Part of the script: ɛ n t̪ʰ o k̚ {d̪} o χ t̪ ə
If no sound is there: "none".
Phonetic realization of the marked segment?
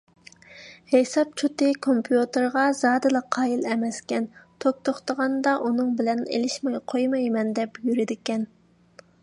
t̪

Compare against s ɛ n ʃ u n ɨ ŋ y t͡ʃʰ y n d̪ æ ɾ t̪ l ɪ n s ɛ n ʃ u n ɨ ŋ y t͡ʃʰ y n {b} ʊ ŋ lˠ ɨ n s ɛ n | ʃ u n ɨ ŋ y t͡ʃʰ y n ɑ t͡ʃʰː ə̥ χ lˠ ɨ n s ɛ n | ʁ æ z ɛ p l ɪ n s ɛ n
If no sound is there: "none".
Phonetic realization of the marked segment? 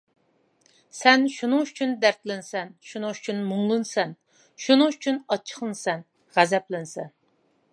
m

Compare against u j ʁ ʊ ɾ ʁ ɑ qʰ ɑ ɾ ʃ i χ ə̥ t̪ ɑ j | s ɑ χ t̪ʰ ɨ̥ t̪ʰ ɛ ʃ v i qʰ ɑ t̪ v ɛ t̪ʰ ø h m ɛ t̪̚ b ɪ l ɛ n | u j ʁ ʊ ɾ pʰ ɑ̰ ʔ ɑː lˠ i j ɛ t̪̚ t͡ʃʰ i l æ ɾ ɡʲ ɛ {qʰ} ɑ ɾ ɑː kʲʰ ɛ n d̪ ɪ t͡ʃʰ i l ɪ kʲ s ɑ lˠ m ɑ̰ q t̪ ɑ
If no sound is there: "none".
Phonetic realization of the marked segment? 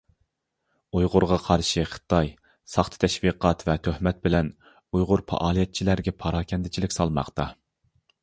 pʰ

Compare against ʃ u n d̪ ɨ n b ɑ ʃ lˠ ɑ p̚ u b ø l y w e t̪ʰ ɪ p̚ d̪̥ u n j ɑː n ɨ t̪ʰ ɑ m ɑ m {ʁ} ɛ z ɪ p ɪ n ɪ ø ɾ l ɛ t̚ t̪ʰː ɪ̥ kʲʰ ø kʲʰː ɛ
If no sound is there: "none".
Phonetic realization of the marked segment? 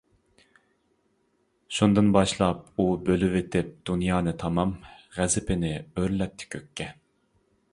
ʁ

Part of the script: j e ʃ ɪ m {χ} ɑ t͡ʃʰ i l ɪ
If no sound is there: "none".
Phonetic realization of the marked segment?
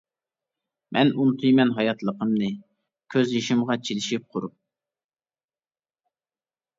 ʁ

